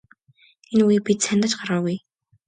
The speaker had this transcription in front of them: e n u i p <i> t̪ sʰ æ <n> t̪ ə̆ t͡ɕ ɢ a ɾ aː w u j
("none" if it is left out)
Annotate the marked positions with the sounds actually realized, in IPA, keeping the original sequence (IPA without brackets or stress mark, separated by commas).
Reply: i, n